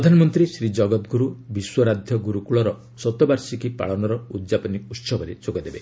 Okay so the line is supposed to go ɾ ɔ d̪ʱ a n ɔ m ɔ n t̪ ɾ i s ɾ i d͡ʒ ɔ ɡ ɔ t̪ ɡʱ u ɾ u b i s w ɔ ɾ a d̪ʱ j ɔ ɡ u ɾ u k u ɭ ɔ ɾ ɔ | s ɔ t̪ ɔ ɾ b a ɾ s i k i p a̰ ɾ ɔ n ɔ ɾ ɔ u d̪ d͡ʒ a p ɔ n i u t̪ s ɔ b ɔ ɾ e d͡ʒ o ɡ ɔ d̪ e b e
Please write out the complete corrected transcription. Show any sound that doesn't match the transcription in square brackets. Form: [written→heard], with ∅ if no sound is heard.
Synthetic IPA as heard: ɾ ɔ d̪ʱ a n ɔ m ɔ n t̪ ɾ i s ɾ i d͡ʒ ɔ ɡ ɔ t̪ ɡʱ u ɾ u b i s w ɔ ɾ a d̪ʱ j ɔ ɡ u ɾ u k u ɭ ɔ ɾ ɔ | s ɔ t̪ ɔ [ɾ→∅] b a ɾ s i k i p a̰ [ɾ→ɭ] ɔ n ɔ ɾ ɔ u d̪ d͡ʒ a p ɔ n i u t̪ s ɔ b ɔ ɾ e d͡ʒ o ɡ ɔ d̪ e b e